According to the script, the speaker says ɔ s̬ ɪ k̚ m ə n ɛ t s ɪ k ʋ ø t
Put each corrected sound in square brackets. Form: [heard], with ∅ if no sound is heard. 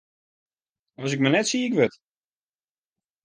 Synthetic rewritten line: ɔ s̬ ɪ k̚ m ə n ɛ t s [i] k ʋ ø t